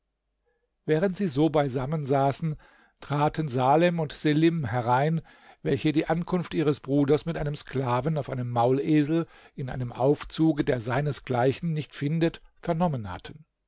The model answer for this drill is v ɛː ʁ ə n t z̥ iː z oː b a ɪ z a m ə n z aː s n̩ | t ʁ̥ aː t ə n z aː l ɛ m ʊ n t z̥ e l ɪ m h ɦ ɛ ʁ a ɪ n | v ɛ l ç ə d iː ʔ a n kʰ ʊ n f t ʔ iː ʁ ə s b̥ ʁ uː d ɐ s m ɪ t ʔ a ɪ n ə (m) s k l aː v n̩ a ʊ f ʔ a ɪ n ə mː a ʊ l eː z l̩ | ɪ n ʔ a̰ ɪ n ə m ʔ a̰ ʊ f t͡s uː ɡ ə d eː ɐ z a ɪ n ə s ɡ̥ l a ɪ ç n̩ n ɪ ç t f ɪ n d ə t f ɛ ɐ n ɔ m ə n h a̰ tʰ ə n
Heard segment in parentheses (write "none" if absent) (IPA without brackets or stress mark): m